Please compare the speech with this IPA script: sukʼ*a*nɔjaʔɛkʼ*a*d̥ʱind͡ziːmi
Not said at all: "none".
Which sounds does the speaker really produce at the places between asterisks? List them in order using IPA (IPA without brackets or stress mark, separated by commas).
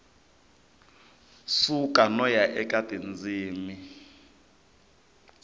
a, a